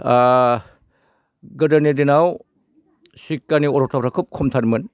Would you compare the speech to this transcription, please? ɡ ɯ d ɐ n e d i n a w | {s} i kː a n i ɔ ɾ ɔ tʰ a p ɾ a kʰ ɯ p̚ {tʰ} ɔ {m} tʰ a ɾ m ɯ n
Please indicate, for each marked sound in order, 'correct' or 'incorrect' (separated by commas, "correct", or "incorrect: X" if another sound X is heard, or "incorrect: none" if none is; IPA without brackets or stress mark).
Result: correct, incorrect: kʰ, correct